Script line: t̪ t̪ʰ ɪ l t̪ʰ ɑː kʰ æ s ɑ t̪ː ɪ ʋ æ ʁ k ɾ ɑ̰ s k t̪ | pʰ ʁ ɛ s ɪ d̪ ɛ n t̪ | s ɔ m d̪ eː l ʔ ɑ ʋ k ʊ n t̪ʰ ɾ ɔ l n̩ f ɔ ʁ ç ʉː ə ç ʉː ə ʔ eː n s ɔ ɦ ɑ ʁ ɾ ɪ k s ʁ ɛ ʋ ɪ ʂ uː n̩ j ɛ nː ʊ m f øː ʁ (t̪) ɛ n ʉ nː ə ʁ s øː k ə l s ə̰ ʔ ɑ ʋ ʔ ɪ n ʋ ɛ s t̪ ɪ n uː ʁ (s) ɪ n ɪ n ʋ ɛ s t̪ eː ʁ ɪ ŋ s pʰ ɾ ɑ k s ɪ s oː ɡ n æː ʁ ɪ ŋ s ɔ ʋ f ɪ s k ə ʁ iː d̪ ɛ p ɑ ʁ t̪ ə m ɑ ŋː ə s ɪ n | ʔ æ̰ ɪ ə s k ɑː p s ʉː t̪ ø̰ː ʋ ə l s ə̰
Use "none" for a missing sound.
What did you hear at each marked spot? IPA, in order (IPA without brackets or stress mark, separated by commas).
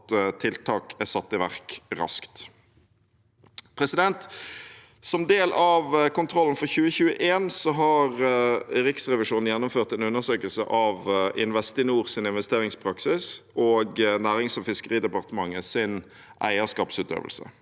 t̪, s